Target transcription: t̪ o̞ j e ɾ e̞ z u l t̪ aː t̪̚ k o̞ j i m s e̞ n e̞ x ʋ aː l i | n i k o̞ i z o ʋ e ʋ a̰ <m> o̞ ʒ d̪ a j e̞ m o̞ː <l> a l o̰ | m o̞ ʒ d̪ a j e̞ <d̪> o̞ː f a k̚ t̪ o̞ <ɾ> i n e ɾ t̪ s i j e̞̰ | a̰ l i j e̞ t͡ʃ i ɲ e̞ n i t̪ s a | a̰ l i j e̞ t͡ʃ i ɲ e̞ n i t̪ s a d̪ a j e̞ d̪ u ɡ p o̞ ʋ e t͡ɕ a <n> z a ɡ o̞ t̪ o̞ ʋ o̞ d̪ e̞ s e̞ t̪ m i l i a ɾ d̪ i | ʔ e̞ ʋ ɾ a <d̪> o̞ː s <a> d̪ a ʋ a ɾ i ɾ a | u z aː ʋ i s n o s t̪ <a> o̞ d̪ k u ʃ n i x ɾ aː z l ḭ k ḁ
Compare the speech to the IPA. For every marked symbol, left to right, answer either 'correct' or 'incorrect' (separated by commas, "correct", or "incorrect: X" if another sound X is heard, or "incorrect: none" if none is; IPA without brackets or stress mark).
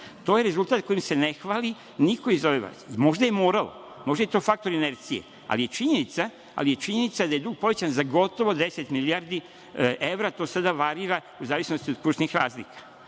correct, incorrect: ɾ, incorrect: t̪, correct, correct, incorrect: t̪, correct, incorrect: i